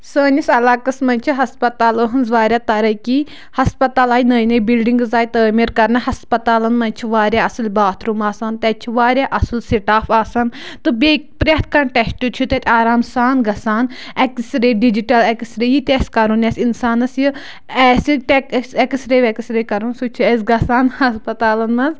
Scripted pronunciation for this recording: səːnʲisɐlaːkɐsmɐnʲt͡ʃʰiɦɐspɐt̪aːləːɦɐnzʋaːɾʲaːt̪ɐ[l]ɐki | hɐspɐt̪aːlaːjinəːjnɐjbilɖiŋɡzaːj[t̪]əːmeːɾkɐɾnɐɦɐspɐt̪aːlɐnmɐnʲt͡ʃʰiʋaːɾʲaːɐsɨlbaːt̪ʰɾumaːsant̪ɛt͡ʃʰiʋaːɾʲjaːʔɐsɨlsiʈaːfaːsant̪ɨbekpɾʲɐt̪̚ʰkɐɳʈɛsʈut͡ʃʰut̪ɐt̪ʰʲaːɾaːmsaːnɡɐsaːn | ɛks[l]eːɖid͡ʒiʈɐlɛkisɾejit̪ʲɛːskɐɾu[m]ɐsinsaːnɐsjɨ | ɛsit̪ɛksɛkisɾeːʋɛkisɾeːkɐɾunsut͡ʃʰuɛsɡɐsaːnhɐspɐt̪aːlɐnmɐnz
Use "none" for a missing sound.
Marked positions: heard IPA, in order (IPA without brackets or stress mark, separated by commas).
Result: ɾ, t̪, ɾ, n